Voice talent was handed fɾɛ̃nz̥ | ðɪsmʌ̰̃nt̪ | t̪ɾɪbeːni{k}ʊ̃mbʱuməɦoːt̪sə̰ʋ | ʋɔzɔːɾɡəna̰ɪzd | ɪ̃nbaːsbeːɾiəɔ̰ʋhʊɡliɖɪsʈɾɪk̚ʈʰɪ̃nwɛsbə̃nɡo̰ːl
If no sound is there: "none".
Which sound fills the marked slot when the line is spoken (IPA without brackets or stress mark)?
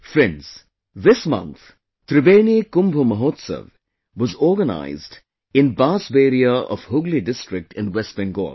k